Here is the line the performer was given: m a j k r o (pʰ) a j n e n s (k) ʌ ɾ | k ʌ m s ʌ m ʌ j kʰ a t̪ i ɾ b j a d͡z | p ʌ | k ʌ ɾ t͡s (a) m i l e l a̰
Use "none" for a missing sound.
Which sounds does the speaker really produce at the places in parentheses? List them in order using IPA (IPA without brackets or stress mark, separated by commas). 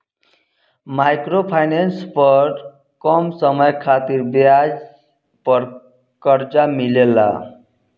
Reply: pʰ, p, a